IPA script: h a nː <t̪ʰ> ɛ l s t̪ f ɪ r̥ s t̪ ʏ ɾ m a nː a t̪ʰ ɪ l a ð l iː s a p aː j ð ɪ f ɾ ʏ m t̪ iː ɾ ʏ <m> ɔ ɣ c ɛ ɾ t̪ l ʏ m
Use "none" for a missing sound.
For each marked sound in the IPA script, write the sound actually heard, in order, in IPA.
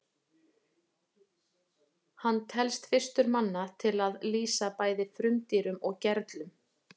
t̪ʰ, m

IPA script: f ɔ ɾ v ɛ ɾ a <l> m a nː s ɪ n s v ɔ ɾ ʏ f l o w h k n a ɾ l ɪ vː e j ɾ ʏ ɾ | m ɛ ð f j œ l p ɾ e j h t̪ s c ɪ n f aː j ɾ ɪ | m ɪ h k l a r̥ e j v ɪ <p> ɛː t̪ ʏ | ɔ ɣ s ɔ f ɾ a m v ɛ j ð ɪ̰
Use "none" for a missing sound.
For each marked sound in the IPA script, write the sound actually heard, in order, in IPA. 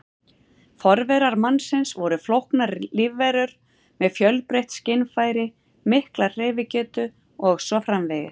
ɾ, c

